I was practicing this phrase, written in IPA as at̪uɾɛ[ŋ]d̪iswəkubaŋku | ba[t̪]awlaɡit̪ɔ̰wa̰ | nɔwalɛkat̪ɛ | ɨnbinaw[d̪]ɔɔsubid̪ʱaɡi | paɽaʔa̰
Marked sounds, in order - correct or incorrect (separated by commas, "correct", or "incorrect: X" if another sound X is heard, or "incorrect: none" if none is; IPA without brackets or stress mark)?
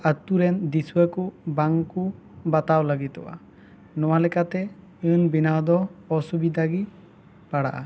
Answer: incorrect: n, correct, correct